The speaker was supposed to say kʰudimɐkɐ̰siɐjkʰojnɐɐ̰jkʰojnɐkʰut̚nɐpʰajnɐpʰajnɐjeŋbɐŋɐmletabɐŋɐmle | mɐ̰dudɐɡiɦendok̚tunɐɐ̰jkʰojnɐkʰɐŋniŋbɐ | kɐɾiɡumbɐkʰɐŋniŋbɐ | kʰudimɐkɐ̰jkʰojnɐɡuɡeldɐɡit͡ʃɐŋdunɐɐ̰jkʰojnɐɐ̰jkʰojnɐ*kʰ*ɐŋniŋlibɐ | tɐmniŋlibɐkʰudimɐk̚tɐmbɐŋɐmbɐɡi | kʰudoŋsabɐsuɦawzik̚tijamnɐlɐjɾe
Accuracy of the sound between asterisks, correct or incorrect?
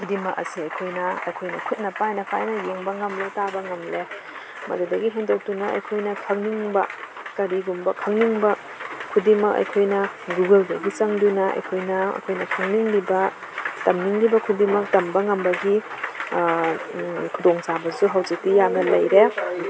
correct